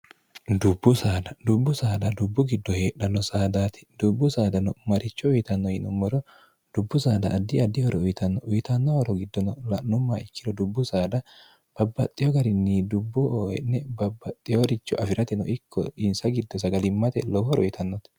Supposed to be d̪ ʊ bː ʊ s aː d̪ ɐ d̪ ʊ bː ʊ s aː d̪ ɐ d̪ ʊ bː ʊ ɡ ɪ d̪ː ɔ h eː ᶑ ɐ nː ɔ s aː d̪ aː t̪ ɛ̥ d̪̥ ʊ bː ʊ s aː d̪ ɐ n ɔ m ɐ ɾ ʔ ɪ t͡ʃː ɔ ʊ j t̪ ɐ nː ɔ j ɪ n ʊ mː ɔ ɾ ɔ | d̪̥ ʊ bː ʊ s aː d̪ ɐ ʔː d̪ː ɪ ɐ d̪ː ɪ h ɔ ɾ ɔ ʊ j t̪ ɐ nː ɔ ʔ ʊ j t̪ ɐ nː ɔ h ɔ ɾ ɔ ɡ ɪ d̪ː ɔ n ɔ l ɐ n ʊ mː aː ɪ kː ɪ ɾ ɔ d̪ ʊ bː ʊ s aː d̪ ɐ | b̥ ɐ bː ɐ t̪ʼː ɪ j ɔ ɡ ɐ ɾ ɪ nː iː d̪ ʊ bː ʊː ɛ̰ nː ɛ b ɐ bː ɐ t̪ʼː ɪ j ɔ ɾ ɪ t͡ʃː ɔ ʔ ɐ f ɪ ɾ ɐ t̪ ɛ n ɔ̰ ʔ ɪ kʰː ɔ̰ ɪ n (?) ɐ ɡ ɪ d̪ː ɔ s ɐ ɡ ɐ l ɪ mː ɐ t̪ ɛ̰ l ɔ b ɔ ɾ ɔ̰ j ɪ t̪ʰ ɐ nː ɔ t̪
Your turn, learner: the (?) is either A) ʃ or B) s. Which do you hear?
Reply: B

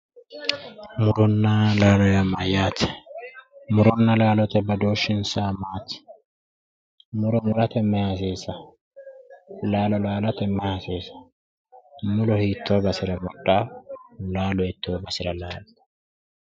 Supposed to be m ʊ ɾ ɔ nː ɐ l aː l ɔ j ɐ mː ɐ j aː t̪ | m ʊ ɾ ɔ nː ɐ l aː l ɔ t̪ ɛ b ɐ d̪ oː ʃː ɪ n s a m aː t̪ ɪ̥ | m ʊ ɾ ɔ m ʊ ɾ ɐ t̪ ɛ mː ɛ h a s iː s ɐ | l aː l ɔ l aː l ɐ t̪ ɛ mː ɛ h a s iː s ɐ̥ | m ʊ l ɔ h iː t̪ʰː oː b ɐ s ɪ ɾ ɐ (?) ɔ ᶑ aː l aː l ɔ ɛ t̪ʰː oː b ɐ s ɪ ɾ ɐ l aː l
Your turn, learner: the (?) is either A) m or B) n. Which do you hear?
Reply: A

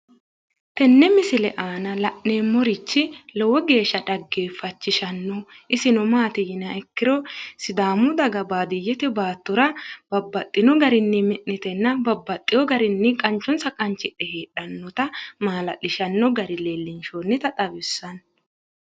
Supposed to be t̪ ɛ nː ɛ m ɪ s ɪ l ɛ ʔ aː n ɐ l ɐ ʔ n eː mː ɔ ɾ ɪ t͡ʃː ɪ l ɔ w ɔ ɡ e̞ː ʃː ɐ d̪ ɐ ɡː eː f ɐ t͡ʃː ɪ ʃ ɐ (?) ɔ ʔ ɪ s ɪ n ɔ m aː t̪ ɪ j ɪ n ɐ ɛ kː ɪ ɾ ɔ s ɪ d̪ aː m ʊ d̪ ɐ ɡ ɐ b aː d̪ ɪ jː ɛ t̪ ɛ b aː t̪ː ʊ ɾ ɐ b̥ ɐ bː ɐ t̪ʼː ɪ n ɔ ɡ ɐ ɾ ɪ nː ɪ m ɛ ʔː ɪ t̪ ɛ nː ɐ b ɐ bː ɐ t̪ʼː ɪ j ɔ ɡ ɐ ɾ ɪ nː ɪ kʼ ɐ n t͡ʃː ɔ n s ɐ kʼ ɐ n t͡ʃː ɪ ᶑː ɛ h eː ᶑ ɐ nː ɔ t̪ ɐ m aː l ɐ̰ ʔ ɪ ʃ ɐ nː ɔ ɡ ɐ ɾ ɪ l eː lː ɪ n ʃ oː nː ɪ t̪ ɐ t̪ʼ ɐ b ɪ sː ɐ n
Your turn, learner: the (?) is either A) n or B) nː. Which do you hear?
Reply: B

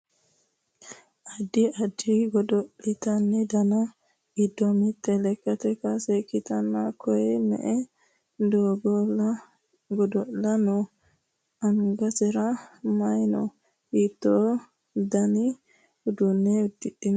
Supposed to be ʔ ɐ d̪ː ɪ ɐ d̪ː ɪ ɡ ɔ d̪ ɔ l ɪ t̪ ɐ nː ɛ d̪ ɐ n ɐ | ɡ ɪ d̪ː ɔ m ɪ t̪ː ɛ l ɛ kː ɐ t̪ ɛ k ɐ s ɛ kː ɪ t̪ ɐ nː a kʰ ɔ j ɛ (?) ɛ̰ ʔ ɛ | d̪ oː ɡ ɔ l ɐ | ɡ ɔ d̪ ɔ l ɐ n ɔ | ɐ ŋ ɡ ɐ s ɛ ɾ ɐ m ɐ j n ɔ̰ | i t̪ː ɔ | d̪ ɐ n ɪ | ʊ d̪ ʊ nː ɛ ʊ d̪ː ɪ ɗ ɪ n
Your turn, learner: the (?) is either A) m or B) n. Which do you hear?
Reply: A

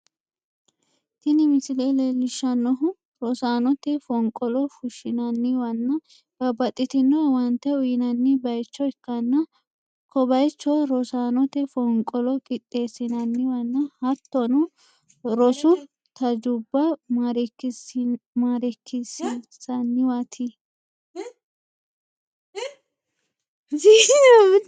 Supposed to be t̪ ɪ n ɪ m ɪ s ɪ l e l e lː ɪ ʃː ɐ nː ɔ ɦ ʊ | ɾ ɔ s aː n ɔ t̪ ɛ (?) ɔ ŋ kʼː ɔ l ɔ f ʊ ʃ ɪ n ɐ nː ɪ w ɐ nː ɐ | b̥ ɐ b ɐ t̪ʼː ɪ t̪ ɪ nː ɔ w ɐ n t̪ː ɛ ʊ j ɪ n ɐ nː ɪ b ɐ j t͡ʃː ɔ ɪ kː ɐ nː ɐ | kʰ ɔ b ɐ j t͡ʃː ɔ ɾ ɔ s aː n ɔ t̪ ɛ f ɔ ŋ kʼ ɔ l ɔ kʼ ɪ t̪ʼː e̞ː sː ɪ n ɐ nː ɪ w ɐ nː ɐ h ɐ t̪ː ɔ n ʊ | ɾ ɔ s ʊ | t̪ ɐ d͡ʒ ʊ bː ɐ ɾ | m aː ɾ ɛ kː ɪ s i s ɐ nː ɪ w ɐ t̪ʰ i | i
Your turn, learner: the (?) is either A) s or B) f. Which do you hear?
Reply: B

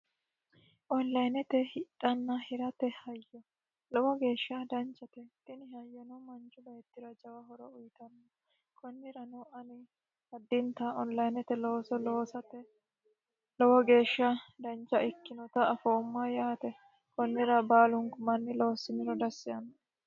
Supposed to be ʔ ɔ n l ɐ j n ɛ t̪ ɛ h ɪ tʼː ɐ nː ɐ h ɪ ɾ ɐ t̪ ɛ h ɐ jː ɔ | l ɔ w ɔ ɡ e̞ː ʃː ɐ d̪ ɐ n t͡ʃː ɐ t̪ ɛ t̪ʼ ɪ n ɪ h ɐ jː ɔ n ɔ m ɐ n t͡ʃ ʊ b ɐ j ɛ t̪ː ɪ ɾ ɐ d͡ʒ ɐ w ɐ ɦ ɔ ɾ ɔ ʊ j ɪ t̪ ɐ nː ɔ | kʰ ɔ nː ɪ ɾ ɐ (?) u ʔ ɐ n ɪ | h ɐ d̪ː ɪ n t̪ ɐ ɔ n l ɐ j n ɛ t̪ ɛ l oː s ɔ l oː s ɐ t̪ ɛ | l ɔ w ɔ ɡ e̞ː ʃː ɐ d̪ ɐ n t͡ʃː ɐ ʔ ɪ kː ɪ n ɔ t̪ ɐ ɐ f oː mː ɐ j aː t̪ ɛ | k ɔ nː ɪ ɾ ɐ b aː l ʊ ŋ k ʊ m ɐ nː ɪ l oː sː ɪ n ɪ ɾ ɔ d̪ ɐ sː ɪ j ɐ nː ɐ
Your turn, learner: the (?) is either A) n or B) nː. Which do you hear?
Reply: A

